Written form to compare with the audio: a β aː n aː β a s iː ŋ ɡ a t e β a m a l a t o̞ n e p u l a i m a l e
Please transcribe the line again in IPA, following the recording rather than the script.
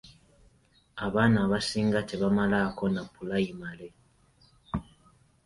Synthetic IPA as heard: a β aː n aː β a s iː ŋ ɡ a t e β a m a l a k o̞ n a p u l a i m a l e